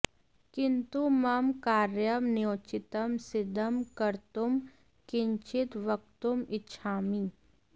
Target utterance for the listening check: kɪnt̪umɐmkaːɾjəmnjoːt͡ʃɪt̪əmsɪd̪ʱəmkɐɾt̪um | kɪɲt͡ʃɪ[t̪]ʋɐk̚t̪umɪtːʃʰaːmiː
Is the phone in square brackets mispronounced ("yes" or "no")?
no